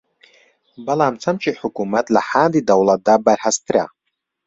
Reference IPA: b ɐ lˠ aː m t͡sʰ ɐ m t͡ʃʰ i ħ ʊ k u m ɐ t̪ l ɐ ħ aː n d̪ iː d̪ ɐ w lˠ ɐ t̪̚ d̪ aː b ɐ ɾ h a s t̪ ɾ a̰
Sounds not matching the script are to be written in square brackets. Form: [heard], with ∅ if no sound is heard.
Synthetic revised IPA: b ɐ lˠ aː m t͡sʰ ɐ m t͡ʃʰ i ħ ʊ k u m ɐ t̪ l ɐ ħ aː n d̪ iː d̪ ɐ w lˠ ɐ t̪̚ d̪ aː b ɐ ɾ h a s t̪ ɾ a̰